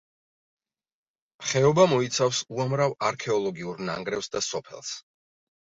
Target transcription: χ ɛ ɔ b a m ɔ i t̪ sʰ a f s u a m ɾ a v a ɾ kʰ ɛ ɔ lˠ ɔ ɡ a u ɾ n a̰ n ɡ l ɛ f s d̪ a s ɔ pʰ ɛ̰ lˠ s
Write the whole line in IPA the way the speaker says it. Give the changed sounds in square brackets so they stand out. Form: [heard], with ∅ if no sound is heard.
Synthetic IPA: χ ɛ ɔ b a m ɔ i t̪ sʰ a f s u a m ɾ a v a ɾ kʰ ɛ ɔ lˠ ɔ ɡ [i] u ɾ n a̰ [ŋ] ɡ [ɾ] ɛ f s d̪ a s ɔ pʰ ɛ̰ lˠ s